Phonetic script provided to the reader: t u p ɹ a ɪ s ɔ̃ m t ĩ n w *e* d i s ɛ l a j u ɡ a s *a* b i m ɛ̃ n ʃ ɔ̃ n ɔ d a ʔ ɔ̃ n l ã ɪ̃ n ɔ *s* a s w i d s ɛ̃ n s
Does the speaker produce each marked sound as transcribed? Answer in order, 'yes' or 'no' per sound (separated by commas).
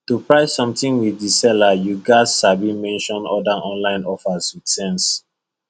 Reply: no, yes, no